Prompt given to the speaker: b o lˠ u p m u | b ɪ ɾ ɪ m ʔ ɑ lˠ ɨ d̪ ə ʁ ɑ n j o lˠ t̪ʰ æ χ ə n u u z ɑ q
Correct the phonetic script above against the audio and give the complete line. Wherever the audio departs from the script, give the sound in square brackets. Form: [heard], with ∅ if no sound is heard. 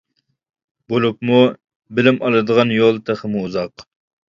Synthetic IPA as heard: b o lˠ u p m u | b ɪ [l] ɪ m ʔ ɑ lˠ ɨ d̪ ə ʁ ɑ n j o lˠ t̪ʰ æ χ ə [m] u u z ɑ q